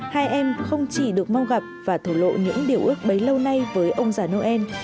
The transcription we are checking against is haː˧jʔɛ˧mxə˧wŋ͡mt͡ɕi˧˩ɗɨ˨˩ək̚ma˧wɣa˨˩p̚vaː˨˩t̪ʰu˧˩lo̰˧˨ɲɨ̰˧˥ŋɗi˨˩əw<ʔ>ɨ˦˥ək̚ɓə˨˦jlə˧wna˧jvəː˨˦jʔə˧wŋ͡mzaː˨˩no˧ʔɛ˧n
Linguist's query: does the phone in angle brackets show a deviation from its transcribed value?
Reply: no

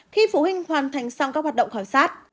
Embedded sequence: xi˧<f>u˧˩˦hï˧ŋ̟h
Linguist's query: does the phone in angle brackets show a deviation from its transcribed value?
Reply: no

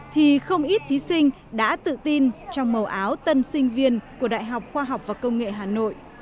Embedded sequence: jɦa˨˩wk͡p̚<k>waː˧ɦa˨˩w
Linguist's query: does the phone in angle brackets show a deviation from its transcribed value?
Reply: yes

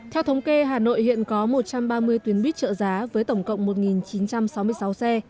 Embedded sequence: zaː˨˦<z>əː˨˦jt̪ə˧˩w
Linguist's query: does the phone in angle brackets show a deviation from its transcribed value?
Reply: yes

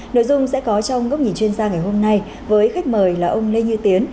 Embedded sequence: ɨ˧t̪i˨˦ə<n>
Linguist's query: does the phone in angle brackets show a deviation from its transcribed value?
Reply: no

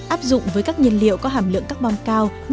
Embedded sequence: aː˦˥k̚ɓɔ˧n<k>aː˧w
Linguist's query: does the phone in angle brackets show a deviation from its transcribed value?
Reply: no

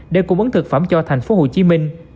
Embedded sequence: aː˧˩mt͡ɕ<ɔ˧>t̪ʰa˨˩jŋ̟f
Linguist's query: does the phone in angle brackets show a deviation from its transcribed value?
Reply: no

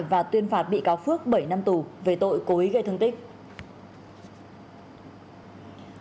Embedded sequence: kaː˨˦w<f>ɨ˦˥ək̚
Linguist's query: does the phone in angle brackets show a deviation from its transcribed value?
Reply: no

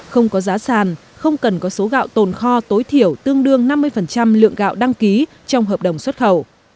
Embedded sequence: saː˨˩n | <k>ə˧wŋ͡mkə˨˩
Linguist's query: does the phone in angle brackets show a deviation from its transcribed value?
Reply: yes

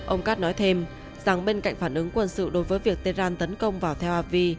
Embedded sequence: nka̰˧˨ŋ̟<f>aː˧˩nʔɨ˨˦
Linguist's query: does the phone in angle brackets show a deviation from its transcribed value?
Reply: no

